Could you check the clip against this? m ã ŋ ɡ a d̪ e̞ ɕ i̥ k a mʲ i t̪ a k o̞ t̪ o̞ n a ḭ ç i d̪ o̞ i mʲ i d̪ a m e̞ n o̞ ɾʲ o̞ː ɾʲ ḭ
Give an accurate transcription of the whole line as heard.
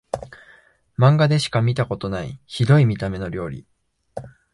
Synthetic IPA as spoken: m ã ŋ ɡ a d̪ e̞ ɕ i̥ k a mʲ i t̪ a k o̞ t̪ o̞ n a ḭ ç i d̪ o̞ i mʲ i t̪ a m e̞ n o̞ ɾʲ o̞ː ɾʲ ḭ